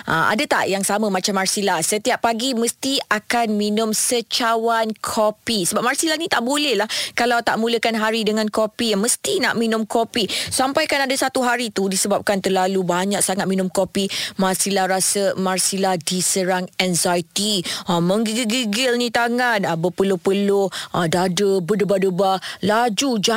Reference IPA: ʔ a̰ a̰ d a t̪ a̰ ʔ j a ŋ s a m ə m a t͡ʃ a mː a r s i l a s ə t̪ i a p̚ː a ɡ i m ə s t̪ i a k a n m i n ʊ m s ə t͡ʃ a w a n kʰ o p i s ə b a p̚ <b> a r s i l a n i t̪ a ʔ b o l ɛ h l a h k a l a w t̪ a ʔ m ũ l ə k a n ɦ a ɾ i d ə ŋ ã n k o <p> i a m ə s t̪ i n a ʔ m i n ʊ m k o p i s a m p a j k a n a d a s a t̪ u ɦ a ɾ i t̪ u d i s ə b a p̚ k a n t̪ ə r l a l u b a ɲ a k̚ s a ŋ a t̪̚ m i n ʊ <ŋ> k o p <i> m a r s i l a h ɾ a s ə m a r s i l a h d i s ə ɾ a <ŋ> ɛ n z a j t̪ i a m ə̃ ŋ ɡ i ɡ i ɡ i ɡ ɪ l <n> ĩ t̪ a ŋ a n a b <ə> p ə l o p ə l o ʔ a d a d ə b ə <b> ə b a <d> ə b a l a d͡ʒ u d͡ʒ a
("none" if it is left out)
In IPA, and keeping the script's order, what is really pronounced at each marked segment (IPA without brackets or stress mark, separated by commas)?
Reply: m, p, m, i, ŋ, n, ə, d, d